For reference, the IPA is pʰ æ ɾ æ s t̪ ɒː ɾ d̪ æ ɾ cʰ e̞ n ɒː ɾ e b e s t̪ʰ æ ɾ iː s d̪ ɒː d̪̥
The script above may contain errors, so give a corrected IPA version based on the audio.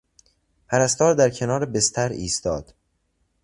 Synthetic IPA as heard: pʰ æ ɾ æ s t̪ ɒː ɾ d̪ æ ɾ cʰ e̞ n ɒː ɾ e b e s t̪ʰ æ ɾ iː s t̪ ɒː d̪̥

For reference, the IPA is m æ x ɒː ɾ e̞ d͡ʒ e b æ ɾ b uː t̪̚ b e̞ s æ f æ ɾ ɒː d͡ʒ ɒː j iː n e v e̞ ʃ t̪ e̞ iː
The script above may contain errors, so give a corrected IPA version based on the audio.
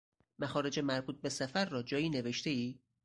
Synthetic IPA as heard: m æ x ɒː ɾ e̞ d͡ʒ e m æ ɾ b uː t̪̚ b e̞ s æ f æ ɾː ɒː d͡ʒ ɒː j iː n e v e̞ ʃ t̪ e̞ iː

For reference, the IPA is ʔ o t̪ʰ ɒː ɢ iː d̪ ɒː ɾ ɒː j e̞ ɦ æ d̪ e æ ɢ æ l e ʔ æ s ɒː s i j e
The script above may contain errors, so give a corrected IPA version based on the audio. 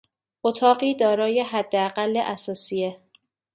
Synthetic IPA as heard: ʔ o t̪ʰ ɒː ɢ iː d̪ ɒː ɾ ɒː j e̞ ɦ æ d̪ː e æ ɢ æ lː e ʔ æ s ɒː s i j e

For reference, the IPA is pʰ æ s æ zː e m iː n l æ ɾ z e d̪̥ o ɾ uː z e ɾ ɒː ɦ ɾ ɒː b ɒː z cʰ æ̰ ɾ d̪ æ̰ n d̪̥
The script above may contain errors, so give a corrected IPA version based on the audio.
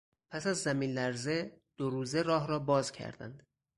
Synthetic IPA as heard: pʰ æ s æ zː æ m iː n l æ ɾ z e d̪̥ o ɾ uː z e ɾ ɒː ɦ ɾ ɒː b ɒː z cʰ æ̰ ɾ d̪ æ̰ n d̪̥

